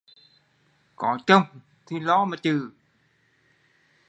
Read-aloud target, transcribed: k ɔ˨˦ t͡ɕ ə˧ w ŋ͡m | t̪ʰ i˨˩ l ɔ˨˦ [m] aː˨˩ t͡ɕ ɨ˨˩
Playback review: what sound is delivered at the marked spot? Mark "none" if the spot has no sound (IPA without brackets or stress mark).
m